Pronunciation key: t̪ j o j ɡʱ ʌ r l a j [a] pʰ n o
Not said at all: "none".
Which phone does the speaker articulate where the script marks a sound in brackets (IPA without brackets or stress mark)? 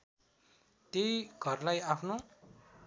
a